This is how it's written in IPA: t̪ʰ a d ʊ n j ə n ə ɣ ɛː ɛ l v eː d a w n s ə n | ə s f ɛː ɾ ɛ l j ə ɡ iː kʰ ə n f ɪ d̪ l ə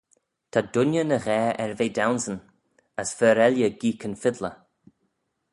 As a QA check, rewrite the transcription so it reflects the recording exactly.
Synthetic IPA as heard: t̪ʰ a d ʊ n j ə n ə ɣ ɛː ɛ ɹ v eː d a w n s ə n | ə s f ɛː ɾ ɛ l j ə ɡ iː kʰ ə n f ɪ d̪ l ə